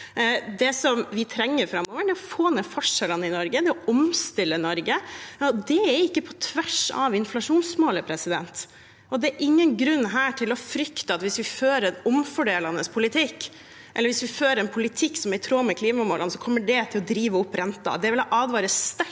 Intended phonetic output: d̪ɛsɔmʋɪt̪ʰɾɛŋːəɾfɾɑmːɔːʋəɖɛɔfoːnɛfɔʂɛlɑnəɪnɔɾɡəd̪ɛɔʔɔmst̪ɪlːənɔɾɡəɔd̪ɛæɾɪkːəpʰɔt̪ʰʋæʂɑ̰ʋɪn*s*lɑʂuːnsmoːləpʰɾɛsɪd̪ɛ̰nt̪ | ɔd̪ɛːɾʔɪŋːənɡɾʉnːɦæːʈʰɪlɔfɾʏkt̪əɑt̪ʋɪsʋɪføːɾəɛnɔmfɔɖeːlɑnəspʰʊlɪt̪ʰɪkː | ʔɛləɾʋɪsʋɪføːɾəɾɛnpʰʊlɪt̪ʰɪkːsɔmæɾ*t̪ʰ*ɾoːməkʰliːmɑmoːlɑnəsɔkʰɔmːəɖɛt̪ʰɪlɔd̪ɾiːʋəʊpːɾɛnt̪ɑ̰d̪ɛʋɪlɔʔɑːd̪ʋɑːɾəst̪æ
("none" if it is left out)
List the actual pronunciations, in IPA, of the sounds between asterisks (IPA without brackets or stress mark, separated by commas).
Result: f, t̪ʰ